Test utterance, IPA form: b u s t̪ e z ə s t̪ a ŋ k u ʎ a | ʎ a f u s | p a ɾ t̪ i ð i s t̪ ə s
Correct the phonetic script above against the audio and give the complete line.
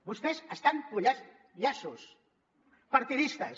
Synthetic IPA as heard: b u s t̪ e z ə s t̪ a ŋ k u ʎ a | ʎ a s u s | p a ɾ t̪ i ð i s t̪ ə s